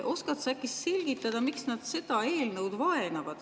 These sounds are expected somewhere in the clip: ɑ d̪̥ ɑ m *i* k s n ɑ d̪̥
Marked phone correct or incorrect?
correct